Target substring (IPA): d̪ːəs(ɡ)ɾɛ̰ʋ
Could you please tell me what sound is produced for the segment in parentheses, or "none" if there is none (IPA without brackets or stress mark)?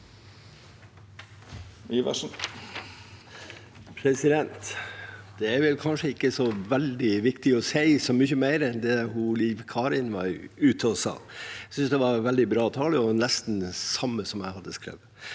k